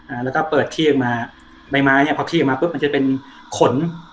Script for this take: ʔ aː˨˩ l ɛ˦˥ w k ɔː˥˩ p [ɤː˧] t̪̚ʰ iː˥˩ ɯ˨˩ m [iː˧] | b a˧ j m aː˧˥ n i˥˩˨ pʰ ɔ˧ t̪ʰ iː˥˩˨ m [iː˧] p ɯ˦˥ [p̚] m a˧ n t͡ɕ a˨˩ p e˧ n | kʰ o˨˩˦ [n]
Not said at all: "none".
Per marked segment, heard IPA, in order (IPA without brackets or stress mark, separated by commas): ɤː˨˩, aː˧, aː˧, p̚, n